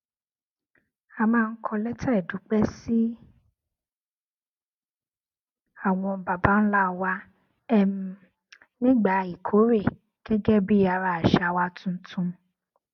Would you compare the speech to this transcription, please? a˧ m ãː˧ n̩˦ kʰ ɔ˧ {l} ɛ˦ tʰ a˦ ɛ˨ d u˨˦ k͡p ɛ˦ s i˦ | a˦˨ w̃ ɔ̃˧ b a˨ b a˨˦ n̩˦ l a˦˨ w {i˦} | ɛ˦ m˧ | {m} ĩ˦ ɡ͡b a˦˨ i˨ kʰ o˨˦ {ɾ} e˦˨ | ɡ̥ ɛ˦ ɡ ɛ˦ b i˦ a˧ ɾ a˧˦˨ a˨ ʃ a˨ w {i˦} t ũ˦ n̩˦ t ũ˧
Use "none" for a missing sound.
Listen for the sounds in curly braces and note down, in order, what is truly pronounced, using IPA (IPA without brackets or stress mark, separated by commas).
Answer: l, a˦, n, ɾ, a˦